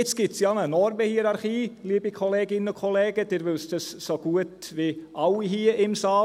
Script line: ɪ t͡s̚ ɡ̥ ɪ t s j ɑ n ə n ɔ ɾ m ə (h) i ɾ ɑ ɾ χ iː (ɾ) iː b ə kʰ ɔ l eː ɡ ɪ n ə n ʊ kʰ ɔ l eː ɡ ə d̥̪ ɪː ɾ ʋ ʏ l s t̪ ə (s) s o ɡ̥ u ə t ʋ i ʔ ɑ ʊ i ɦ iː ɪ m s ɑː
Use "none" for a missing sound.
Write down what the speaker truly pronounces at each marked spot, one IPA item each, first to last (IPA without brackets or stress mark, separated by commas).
h, l, s